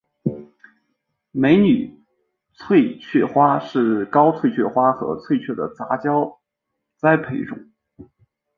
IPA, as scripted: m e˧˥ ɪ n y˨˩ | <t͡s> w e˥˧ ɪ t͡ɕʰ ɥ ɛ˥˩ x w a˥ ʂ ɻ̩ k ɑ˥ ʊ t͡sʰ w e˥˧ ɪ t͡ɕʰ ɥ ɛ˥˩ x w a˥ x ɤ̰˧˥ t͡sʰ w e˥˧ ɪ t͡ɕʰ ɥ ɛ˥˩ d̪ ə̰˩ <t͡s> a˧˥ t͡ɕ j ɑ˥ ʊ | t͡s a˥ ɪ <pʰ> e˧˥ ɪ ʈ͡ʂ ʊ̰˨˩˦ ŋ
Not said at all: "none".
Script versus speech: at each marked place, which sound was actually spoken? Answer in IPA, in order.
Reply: t͡sʰ, t͡s, pʰ

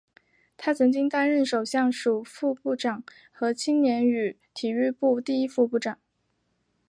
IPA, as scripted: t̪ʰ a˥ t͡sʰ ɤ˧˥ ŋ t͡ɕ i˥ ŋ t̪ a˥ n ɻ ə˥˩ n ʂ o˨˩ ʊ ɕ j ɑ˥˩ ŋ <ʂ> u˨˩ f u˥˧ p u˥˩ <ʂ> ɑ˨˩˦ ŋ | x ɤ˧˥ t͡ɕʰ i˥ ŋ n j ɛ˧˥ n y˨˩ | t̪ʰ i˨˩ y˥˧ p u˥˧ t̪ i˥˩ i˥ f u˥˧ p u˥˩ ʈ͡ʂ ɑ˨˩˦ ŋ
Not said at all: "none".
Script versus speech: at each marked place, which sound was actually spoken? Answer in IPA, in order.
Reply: ʂ, ʈ͡ʂ

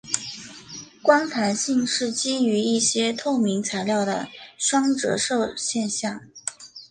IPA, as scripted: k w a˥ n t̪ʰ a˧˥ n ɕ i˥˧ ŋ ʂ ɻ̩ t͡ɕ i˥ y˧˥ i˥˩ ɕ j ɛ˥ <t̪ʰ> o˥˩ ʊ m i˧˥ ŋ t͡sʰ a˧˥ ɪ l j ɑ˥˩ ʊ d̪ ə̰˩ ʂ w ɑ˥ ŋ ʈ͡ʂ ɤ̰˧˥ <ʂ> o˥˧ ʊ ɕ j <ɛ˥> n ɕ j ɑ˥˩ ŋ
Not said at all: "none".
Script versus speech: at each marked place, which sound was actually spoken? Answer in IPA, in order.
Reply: t̪ʰ, ʂ, ɛ˥˧

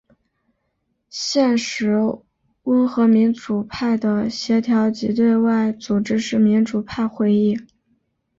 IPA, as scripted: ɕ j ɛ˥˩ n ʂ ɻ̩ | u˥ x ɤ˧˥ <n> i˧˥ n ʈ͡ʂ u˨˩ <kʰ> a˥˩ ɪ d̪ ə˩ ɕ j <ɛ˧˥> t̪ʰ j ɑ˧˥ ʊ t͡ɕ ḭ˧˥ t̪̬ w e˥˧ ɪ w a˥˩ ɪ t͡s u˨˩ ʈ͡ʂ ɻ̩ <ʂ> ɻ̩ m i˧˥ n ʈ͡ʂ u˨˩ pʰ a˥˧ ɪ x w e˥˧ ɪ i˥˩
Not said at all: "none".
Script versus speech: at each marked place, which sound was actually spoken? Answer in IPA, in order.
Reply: m, pʰ, ɛ˧˥, ʂ

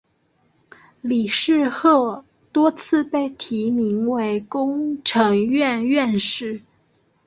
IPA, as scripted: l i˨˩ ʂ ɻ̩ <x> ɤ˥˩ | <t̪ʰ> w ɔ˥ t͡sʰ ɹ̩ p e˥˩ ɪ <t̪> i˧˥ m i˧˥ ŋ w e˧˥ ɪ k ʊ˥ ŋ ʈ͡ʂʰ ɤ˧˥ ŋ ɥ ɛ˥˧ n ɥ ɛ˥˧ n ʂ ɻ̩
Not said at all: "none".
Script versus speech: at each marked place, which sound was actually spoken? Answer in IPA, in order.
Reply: x, t̪, t̪ʰ

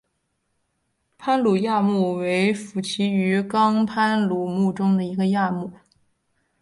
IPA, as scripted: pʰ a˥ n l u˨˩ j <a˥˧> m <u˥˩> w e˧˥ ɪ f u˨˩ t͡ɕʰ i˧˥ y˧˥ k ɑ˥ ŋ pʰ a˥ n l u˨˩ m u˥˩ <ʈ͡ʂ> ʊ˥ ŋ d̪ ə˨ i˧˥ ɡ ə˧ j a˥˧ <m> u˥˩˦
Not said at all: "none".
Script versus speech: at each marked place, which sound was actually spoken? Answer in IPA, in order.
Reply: a˥˧, u˥˩, ʈ͡ʂ, m

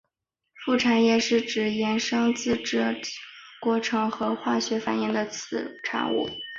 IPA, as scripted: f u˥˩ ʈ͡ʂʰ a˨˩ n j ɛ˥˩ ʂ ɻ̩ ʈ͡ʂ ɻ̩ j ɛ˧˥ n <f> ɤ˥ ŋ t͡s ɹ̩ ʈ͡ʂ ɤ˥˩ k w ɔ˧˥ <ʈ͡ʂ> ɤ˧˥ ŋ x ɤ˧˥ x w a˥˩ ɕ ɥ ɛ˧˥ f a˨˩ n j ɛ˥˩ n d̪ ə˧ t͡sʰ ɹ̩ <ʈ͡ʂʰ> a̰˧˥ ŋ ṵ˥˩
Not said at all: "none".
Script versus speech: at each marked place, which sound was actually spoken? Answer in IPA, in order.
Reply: ʂ, ʈ͡ʂʰ, ʈ͡ʂʰ

